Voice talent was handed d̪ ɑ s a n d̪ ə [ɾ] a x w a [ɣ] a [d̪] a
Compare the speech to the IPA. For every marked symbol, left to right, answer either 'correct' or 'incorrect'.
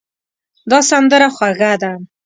correct, correct, correct

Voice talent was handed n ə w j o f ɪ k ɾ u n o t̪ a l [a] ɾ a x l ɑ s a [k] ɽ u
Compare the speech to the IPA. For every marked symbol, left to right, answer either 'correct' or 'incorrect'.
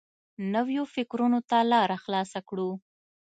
incorrect: ɑ, correct

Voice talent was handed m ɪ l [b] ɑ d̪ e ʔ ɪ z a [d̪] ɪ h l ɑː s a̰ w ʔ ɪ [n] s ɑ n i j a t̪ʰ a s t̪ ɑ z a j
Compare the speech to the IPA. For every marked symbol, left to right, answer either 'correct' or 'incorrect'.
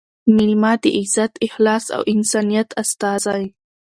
incorrect: m, incorrect: t̪, correct

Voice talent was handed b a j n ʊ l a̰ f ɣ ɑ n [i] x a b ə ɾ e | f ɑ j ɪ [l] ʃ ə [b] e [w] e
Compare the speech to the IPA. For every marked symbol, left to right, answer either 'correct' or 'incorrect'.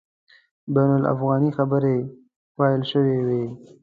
correct, correct, incorrect: w, correct

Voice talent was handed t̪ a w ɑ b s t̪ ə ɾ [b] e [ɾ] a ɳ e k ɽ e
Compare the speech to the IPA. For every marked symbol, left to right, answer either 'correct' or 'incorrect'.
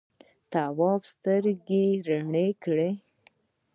incorrect: ɡ, correct

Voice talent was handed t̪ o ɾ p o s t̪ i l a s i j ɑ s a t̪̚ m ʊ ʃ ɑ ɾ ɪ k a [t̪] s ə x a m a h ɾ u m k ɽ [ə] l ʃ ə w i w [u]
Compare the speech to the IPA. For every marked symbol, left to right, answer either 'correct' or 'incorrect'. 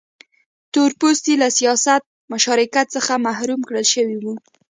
correct, correct, correct

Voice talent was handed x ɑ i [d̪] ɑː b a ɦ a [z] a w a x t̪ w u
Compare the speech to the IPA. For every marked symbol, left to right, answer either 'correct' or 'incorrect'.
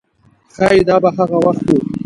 correct, incorrect: ɣ

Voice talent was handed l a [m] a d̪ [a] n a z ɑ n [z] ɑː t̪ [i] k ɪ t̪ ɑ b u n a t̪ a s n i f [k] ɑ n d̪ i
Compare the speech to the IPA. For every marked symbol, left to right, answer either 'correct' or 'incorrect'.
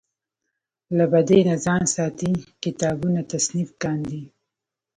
incorrect: b, incorrect: e, incorrect: s, correct, correct

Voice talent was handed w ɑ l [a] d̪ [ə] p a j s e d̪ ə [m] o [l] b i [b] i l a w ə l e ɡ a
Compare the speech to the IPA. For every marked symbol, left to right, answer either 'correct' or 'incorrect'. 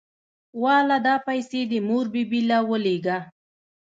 correct, incorrect: ɑ, correct, incorrect: ɾ, correct

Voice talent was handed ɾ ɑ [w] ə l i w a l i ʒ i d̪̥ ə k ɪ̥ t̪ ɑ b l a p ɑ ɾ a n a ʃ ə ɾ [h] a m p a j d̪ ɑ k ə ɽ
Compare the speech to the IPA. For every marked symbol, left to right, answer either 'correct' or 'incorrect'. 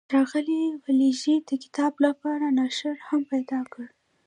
incorrect: ɣ, correct

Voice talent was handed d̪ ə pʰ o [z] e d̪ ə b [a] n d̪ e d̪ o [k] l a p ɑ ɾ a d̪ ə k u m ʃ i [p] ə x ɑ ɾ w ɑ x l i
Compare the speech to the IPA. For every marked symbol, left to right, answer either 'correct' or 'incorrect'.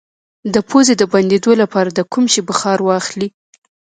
correct, correct, incorrect: none, incorrect: b

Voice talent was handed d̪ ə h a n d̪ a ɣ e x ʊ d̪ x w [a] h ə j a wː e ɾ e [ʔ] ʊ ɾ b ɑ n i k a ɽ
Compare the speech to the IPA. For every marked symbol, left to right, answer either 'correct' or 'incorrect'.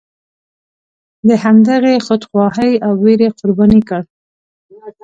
incorrect: ɑ, incorrect: q

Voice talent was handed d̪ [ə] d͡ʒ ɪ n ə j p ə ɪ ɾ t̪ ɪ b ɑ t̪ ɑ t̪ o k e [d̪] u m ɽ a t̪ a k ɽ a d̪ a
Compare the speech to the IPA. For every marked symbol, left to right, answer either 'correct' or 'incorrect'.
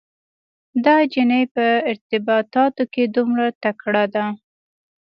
incorrect: ɑ, correct

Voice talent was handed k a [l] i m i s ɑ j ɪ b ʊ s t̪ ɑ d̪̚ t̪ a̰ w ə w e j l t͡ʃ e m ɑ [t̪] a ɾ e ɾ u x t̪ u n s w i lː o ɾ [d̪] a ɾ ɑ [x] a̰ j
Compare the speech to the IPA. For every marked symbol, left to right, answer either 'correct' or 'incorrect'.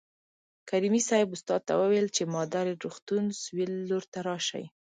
incorrect: ɾ, incorrect: d̪, incorrect: t̪, incorrect: ʃ

